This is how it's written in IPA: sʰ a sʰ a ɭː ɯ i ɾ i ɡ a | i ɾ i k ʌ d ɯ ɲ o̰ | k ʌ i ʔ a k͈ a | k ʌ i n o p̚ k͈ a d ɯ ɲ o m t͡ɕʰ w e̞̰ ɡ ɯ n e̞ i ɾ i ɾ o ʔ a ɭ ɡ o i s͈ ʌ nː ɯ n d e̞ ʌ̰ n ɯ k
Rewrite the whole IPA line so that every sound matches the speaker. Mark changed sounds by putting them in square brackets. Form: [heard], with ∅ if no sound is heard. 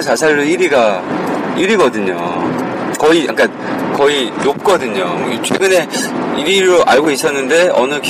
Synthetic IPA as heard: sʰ a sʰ a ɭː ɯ i ɾ i ɡ a | i ɾ i [ɡ] ʌ d ɯ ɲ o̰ | k ʌ i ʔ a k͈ a | k ʌ i n o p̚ k͈ [ʌ] d ɯ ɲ o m t͡ɕʰ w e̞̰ ɡ ɯ n e̞ i ɾ i ɾ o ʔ a ɭ ɡ o i s͈ ʌ nː ɯ n d e̞ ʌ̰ n ɯ k